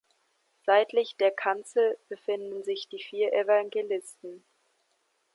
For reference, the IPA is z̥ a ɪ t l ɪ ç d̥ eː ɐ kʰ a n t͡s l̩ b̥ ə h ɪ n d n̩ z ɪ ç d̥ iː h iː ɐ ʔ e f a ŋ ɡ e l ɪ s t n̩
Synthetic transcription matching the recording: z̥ a ɪ t l ɪ ç d̥ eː ɐ kʰ a n t͡s l̩ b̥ ə f ɪ n d n̩ z ɪ ç d̥ iː f iː ɐ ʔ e v a ŋ ɡ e l ɪ s t n̩